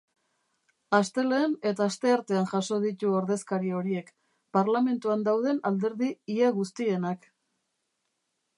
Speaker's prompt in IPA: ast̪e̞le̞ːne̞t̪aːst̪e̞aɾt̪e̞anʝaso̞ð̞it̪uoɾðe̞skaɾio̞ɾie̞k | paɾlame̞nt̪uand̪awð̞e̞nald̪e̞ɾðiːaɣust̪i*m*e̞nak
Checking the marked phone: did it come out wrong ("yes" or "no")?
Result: yes